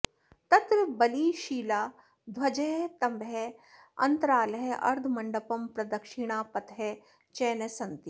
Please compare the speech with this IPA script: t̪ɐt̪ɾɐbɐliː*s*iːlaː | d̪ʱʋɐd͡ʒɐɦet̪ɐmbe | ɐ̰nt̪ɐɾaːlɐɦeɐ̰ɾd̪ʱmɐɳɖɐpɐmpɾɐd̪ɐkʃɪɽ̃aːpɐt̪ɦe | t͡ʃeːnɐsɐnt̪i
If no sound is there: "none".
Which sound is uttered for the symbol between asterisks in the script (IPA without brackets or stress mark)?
ʃ